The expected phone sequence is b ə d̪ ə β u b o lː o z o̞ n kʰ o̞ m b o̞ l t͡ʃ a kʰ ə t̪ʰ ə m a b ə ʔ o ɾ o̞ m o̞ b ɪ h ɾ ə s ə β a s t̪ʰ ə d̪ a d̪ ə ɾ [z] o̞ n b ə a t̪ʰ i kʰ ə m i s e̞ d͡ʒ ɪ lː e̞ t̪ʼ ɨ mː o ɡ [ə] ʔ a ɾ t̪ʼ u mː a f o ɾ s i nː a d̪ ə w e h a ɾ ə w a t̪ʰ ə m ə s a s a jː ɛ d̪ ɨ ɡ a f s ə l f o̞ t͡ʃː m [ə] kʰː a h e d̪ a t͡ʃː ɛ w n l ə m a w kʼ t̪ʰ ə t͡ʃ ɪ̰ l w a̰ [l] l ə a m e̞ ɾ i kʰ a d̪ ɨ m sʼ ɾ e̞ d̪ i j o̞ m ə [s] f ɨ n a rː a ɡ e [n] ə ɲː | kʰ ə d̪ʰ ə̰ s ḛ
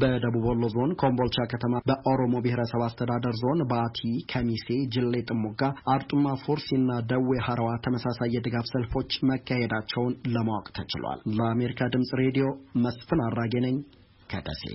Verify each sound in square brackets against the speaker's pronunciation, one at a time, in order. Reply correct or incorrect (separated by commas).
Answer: correct, incorrect, correct, correct, correct, correct